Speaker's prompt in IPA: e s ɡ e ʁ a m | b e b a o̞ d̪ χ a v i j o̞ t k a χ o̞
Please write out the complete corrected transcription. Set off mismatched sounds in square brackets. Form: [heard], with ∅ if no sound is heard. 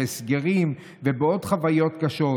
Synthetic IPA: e s ɡ e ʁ [i] m | [v] e b [e] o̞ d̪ χ a v [a] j o̞ t k a [ʃ] o̞